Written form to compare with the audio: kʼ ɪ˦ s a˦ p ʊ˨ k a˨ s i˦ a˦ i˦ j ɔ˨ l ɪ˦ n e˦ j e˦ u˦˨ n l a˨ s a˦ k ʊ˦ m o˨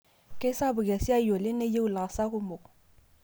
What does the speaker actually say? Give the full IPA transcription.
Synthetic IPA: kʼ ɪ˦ s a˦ b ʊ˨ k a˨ s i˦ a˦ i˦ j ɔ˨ l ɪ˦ n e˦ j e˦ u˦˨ l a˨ s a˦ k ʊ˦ m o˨